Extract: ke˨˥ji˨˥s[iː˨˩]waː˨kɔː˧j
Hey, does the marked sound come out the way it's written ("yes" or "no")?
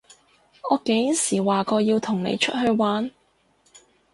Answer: yes